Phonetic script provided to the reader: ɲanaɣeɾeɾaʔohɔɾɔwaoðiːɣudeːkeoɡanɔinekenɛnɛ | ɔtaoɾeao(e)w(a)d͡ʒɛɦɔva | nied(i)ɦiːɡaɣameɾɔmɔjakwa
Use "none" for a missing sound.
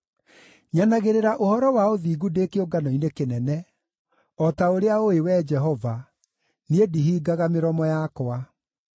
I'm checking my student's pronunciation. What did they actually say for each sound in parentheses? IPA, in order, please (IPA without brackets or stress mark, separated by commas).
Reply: e, ɛ, i